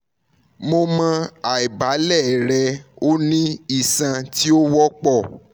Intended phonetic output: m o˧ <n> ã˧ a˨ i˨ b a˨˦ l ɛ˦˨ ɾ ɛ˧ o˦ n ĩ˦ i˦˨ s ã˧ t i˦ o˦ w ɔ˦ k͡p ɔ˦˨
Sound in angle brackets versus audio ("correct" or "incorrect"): incorrect